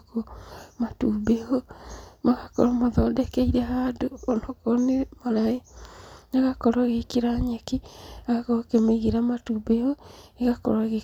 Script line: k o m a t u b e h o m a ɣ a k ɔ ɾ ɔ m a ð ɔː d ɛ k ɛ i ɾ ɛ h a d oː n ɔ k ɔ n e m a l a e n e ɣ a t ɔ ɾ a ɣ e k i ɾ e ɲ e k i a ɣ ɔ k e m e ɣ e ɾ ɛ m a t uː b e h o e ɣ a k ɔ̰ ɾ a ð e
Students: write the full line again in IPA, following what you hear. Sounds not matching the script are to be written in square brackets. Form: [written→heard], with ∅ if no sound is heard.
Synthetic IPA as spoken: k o m a t u b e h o m a ɣ a k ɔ ɾ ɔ m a ð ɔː d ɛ k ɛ i ɾ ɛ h a d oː n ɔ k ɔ n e m a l a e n [e→a] ɣ a [t→k] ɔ ɾ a ɣ e k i ɾ [e→a] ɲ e k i a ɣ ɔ k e m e ɣ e ɾ [ɛ→a] m a t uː b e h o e ɣ a k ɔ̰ ɾ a [ð→ɣ] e